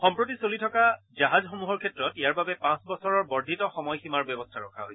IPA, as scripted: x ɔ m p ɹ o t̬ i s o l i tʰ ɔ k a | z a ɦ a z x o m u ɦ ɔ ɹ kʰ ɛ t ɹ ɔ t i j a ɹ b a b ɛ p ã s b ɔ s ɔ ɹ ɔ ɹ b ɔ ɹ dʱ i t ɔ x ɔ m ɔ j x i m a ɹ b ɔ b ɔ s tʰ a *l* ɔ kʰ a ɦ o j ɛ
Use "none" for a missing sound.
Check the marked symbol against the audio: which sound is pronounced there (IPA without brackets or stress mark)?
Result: ɹ